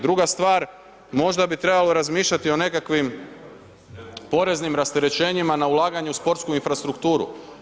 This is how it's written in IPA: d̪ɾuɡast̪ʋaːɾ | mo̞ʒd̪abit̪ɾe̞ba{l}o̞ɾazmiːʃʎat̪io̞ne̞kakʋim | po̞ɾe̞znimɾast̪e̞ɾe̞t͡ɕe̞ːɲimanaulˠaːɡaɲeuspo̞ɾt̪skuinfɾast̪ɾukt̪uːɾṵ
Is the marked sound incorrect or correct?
correct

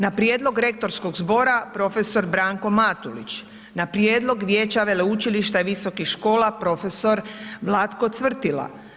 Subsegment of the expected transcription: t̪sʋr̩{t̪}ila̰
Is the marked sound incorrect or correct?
correct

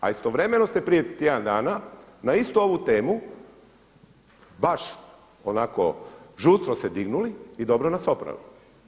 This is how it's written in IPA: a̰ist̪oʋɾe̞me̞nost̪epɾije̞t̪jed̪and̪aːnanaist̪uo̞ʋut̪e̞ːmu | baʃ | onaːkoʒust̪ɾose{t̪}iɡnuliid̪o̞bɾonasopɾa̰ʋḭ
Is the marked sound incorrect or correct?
incorrect: d̪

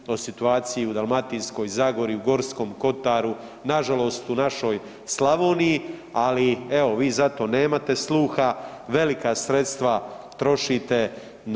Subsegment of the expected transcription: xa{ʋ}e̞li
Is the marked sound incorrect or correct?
correct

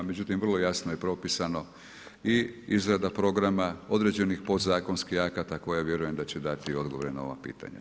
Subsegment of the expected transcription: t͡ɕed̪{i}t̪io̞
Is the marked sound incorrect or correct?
incorrect: a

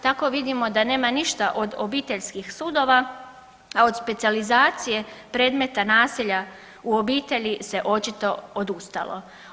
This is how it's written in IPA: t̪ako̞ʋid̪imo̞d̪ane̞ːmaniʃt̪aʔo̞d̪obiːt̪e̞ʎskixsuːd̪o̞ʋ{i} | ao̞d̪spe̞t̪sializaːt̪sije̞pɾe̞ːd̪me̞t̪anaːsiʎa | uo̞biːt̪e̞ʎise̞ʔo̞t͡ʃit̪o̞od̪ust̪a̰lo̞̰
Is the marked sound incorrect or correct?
incorrect: a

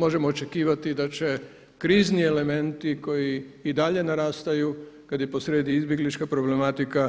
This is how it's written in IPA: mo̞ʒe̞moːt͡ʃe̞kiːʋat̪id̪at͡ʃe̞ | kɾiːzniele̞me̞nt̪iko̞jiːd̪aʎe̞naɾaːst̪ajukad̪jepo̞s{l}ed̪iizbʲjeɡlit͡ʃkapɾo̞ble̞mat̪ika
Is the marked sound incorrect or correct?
incorrect: ɾ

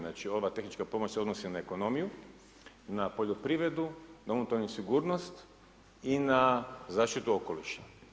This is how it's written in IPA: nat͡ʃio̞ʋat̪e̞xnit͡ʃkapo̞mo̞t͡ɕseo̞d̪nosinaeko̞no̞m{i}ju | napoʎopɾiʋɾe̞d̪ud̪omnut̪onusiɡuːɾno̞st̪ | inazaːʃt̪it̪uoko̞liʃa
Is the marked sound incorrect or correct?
correct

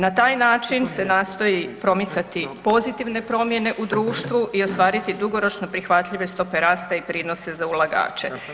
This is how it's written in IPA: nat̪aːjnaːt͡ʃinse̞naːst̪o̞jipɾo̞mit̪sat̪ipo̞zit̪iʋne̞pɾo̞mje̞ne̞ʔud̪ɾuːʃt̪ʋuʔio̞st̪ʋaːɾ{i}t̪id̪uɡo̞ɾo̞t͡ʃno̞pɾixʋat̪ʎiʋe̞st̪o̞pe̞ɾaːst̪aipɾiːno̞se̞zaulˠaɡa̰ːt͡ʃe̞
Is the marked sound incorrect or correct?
correct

